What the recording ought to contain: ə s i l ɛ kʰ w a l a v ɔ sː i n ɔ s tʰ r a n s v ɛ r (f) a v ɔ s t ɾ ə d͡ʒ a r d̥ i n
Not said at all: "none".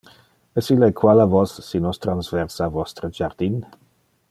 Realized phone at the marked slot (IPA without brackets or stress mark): s